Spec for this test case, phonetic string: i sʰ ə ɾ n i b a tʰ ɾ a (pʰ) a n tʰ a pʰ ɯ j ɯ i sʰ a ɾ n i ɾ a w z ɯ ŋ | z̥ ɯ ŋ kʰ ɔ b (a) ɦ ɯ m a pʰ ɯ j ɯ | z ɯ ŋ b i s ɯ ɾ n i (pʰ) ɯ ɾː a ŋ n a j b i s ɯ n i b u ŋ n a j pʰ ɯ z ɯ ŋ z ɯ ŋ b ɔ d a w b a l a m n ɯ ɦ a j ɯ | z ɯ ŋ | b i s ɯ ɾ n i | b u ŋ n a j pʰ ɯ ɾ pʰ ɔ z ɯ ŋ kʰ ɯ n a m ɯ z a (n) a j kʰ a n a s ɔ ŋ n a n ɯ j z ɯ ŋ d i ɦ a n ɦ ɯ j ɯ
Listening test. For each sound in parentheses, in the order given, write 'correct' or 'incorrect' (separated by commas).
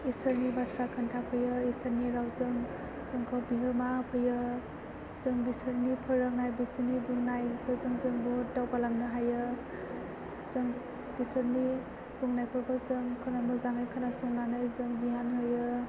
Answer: incorrect, incorrect, correct, incorrect